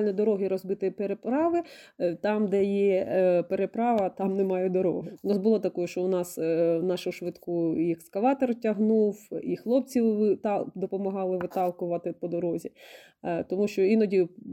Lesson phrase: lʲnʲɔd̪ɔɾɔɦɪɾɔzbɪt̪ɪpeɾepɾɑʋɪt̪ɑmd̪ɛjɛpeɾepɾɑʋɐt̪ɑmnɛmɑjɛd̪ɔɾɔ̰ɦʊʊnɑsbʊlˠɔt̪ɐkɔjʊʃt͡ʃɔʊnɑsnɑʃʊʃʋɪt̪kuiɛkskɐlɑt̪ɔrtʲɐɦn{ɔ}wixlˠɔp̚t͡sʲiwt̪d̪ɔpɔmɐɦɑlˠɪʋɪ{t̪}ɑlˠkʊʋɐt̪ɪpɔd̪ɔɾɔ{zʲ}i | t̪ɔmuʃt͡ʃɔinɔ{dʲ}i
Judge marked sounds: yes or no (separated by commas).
no, yes, yes, yes